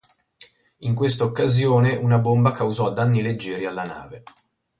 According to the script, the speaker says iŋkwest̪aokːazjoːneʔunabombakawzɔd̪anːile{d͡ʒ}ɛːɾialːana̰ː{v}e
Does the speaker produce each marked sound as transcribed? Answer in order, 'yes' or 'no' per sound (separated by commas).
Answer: no, yes